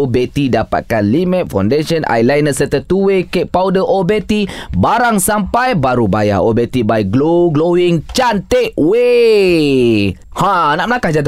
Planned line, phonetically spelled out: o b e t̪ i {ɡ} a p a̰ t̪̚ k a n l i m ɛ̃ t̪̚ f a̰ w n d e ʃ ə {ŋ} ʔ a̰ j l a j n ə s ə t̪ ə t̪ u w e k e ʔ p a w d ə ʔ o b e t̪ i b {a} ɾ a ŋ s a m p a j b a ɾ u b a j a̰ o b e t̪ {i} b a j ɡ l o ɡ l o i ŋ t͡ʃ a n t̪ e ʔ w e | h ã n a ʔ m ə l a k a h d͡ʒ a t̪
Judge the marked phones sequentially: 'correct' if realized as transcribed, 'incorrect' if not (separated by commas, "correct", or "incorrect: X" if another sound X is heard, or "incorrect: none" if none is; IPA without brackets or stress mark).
incorrect: d, incorrect: n, correct, correct